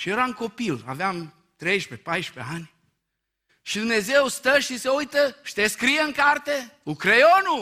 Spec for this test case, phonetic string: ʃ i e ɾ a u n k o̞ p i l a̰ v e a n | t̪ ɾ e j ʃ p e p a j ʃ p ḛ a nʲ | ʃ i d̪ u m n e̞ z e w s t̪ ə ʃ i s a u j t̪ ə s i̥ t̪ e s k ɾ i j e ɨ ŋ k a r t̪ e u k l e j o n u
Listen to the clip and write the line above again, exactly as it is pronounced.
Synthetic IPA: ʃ i e ɾ a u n k o̞ p i l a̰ v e a m | t̪ ɾ e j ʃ p e p a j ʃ p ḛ a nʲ | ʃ i d̪ u m n e̞ z e w s t̪ ə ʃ i s e u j t̪ ə ʃ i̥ t̪ e s k ɾ i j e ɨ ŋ k a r t̪ e u k ɾ e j o n u